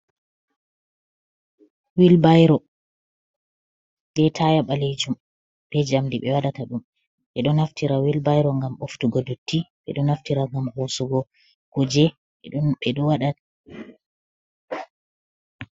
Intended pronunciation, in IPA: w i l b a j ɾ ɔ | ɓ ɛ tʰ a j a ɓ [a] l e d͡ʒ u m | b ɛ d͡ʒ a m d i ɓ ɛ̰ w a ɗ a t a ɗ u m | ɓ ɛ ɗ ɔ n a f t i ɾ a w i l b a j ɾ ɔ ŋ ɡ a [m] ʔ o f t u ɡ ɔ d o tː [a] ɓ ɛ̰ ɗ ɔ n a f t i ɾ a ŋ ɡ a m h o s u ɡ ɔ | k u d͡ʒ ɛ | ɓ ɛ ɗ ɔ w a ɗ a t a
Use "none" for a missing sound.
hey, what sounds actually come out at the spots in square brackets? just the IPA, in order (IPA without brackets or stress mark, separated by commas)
a, m, i